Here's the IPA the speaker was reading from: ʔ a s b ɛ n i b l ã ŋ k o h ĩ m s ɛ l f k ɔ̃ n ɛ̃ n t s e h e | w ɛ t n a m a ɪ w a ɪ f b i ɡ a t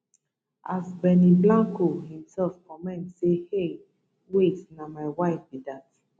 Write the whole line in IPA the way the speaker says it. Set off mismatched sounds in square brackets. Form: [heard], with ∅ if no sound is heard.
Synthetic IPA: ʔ a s b ɛ n i b l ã ŋ k o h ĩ m s ɛ l f k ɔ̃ [m] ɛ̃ n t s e h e | w [e] t n a m a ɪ w a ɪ f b i [d] a t